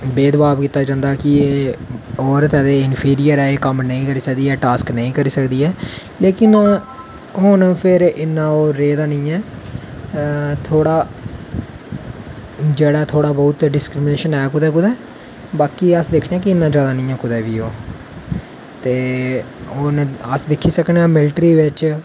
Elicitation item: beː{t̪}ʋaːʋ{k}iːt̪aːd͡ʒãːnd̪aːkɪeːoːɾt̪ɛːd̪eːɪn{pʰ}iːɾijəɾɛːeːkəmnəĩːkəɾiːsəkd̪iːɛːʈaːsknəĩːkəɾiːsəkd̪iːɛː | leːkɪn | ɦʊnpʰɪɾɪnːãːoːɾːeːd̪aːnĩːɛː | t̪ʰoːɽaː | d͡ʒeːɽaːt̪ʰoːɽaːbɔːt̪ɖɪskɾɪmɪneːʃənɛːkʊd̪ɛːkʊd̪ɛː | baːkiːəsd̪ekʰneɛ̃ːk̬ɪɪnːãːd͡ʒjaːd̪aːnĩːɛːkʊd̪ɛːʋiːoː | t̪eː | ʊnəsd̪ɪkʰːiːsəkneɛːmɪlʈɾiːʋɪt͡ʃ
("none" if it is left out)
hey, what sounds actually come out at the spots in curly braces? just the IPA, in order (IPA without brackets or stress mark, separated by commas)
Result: d̪, k, pʰ